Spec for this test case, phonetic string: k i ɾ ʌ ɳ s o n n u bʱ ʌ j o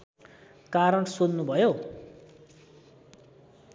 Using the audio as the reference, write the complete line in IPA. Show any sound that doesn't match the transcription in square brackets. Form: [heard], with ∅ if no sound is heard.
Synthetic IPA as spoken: k [a] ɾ ʌ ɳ s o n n u bʱ ʌ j o

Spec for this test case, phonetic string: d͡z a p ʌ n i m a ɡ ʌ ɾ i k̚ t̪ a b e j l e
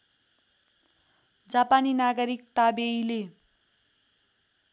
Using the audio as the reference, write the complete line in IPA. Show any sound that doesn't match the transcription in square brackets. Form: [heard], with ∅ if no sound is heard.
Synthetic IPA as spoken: d͡z a p [a] n i [n] a ɡ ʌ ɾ i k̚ t̪ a b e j l e

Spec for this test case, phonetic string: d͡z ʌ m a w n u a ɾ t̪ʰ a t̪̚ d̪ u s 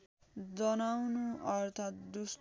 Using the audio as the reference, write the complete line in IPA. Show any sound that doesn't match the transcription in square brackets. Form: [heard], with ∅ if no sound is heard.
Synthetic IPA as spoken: d͡z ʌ [n] a w n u [ʌ] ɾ t̪ʰ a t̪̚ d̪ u s

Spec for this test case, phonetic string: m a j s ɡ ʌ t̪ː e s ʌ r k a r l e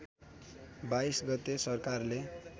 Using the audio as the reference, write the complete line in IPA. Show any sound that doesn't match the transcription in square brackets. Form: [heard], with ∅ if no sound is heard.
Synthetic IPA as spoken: [b] a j s ɡ ʌ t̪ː e s ʌ r k a r l e

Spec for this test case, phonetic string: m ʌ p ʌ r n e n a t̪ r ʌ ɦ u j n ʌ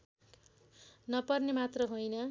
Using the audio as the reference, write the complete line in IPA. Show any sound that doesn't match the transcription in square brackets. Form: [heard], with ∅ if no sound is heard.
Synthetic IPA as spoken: [n] ʌ p ʌ r n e [m] a t̪ r ʌ ɦ [o] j n ʌ

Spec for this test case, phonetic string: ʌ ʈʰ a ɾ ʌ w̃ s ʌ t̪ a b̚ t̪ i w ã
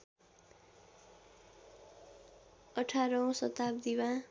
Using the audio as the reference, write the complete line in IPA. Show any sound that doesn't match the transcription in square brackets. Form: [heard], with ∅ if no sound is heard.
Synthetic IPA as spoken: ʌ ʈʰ a ɾ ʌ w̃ s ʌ t̪ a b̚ [d̪] i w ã

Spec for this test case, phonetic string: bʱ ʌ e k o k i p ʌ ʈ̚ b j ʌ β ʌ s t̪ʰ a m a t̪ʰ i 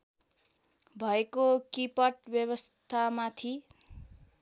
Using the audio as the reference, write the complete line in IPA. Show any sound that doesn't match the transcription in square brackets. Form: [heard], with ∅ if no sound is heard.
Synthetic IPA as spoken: bʱ ʌ e k o k i p ʌ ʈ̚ b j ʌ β ʌ s t̪ʰ a m a t̪ʰ i

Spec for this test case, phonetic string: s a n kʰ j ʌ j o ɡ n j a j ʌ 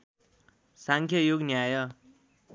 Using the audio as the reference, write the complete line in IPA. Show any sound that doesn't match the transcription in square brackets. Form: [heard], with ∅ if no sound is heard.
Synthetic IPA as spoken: s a [ŋ] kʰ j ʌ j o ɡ n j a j ʌ

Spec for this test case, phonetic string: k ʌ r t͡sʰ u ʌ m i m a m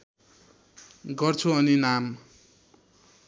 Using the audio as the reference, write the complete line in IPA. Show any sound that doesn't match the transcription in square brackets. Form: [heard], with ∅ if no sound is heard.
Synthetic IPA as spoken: [ɡ] ʌ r t͡sʰ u ʌ [n] i [n] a m

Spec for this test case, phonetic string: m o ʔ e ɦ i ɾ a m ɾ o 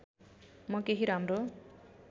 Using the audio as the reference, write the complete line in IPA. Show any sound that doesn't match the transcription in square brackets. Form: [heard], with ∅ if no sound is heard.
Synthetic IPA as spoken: m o [k] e ɦ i ɾ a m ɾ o

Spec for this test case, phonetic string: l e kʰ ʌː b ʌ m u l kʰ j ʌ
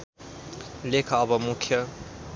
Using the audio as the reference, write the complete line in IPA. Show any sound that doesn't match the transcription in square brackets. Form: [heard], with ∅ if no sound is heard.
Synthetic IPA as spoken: l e kʰ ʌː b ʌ m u [∅] kʰ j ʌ

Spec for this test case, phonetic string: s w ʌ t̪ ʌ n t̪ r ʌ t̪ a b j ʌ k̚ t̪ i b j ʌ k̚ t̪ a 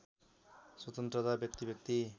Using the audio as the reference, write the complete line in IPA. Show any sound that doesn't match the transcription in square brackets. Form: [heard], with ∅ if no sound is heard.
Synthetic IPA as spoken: s w ʌ t̪ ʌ n t̪ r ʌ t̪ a b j ʌ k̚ t̪ i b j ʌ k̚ t̪ [i]

